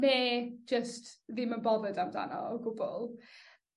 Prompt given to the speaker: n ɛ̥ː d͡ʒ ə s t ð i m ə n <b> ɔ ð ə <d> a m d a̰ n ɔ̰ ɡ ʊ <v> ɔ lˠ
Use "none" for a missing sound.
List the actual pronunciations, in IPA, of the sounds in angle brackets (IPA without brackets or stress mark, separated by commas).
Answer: b, d, b